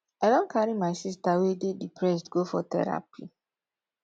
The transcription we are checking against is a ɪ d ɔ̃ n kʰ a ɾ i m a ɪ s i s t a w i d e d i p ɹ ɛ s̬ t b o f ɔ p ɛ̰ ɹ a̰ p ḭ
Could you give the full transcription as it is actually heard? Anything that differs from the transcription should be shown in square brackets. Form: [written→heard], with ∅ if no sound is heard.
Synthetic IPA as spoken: a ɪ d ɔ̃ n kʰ a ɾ i m a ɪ s i s t a w [i→e] d e d i p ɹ ɛ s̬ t [b→ɡ] o f ɔ [p→t] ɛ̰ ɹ a̰ p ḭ